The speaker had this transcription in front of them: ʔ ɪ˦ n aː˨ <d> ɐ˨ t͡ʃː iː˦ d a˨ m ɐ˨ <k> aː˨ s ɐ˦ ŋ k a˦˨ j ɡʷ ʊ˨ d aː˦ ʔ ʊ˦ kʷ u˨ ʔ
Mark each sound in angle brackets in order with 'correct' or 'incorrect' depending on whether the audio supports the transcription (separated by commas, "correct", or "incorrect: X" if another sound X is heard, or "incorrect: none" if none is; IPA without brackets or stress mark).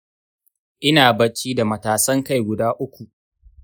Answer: incorrect: b, incorrect: t